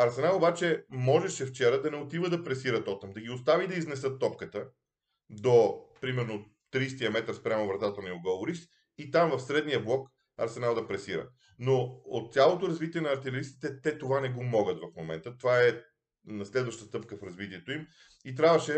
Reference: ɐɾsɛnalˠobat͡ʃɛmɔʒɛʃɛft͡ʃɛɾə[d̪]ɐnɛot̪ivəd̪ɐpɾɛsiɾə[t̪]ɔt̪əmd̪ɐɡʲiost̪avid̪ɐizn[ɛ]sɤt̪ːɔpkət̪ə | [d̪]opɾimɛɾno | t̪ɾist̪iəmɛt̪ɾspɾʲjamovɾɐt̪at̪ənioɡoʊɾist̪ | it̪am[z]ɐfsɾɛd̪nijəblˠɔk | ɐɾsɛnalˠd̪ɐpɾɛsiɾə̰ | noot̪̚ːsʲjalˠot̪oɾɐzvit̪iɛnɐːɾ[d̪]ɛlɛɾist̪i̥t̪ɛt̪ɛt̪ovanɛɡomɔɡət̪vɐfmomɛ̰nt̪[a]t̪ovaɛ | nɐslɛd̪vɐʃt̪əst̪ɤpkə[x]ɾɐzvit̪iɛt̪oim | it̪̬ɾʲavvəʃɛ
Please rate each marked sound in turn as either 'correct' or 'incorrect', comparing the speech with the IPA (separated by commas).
correct, correct, correct, correct, incorrect, incorrect, incorrect, incorrect